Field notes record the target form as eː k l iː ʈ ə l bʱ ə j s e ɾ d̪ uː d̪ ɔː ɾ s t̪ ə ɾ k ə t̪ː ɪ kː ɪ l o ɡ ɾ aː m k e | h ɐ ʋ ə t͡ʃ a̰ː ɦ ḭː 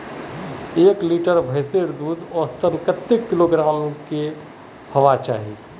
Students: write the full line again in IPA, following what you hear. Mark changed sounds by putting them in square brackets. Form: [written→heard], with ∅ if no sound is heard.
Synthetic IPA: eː k l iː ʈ ə [l→ɾ] bʱ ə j s e ɾ d̪ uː d̪ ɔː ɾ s t̪ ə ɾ k ə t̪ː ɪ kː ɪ l o ɡ ɾ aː m k e | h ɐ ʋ [ə→a] t͡ʃ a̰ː ɦ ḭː